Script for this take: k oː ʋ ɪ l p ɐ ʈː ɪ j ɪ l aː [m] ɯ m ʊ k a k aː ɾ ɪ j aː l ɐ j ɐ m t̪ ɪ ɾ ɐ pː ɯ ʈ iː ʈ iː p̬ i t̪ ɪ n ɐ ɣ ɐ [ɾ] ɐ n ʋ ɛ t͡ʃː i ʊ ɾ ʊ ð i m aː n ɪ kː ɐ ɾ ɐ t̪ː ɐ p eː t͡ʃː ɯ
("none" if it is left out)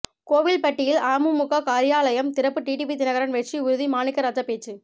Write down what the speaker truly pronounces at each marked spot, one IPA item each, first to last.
m, ɾ

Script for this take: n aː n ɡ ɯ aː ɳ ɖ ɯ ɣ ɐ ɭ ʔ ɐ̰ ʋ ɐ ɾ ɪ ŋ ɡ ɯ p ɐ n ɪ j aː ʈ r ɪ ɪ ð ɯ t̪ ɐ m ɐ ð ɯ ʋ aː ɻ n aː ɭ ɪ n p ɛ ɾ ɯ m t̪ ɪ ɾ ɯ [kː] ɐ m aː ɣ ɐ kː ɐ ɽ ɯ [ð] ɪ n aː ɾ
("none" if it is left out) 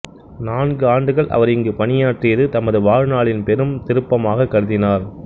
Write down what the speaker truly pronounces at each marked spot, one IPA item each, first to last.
pː, ð

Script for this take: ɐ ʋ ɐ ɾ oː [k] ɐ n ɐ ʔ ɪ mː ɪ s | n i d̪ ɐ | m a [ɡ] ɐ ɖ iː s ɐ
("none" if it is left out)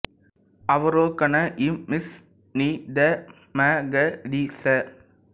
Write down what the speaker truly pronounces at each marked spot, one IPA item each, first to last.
k, ɡ

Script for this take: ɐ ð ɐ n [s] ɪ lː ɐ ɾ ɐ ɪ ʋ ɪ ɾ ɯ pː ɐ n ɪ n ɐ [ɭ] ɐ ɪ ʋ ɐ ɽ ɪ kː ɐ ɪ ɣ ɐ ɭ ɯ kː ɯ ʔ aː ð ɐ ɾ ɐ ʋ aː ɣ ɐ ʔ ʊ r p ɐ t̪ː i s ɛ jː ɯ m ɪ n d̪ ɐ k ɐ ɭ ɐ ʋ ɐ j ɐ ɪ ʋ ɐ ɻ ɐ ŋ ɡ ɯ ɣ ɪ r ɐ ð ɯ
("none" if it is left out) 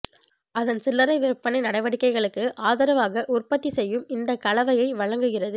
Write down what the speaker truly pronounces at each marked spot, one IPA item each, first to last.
s, ɽ

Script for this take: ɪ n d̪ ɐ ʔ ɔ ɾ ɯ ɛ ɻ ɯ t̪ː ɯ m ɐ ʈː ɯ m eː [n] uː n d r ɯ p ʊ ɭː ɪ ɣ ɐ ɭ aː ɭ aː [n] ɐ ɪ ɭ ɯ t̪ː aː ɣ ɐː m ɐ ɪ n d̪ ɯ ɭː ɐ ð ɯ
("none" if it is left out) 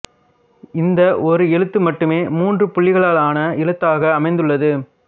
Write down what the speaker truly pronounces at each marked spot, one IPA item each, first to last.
m, n

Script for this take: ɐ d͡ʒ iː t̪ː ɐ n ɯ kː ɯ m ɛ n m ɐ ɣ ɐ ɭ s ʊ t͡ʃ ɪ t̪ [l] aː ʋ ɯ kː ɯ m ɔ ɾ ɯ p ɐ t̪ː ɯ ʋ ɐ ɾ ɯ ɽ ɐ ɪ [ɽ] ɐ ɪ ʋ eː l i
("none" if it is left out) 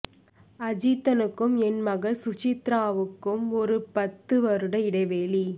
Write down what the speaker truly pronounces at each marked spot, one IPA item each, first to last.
ɾ, ɽ

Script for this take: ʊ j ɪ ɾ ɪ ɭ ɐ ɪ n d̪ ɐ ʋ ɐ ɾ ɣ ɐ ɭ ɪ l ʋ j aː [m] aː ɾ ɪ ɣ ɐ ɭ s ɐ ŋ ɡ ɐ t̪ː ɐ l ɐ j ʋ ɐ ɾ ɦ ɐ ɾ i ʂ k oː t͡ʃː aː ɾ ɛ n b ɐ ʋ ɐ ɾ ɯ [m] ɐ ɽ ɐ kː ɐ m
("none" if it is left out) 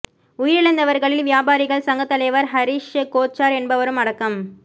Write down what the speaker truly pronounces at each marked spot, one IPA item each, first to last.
b, m

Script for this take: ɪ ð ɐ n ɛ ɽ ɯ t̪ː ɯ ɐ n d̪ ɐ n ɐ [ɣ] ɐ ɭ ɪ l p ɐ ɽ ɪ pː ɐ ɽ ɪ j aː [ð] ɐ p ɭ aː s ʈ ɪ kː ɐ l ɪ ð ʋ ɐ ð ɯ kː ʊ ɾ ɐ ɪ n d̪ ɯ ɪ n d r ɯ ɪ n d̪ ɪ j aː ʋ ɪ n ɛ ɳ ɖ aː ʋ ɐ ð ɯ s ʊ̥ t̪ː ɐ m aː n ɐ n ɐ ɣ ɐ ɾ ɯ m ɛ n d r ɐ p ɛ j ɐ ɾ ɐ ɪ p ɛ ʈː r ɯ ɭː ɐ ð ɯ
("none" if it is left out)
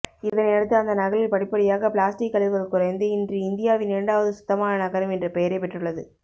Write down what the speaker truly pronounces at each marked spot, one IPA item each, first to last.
ɣ, ɣ

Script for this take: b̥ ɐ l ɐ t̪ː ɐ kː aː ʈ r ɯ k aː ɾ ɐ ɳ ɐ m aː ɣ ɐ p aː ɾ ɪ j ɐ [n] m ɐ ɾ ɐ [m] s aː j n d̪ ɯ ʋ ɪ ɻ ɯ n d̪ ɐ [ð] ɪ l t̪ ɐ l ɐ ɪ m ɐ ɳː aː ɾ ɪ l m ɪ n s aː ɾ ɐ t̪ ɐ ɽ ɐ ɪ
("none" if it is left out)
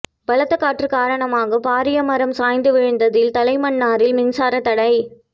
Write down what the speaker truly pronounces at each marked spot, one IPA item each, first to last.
none, m, ð

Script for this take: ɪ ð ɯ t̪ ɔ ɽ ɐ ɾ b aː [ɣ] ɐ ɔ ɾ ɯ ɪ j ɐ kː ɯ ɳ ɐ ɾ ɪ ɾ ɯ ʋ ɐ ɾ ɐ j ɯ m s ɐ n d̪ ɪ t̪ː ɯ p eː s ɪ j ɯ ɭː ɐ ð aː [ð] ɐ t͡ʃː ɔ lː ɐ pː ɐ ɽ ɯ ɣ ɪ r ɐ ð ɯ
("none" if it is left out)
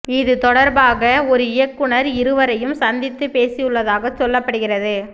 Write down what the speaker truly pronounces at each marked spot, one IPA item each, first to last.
ɣ, ɣ

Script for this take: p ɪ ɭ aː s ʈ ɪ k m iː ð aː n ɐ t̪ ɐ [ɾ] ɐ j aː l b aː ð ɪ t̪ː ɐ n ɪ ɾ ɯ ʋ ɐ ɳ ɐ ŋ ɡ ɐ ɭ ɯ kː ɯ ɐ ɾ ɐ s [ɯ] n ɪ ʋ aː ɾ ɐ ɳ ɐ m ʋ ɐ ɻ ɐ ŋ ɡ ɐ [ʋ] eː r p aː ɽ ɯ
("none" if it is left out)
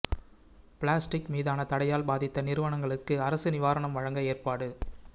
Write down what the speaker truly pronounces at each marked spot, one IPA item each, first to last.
ɽ, ɯ, none

